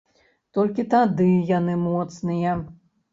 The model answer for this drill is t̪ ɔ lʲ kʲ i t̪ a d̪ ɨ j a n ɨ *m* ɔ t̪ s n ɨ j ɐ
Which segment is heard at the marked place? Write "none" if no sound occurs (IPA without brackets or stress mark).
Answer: m